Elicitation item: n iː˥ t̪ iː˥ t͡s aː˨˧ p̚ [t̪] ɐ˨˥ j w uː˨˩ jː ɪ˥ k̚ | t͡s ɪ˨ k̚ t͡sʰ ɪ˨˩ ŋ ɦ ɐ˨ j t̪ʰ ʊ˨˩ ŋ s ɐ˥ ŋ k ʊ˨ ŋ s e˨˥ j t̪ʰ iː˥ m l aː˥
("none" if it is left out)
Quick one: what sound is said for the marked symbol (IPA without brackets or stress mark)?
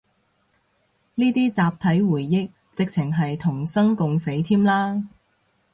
t̪ʰ